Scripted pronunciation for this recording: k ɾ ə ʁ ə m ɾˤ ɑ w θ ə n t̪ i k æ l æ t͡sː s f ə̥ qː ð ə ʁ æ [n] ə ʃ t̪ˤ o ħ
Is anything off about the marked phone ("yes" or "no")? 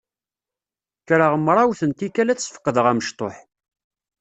yes